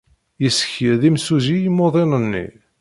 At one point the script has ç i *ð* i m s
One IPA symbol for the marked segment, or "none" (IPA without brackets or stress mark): ð